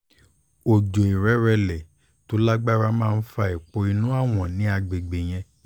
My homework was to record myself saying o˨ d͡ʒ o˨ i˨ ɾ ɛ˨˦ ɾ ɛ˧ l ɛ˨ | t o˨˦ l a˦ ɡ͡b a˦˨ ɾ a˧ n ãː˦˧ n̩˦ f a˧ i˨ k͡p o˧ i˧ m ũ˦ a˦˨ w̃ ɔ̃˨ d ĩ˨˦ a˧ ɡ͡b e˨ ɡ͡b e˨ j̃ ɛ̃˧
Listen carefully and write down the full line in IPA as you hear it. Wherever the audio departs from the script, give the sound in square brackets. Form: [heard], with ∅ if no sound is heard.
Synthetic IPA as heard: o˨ d͡ʒ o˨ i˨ ɾ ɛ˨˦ ɾ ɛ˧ l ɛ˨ | t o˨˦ l a˦ ɡ͡b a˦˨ ɾ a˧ [m] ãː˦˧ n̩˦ f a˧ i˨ k͡p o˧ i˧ [n] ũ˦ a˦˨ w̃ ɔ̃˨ [n] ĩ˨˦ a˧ ɡ͡b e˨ ɡ͡b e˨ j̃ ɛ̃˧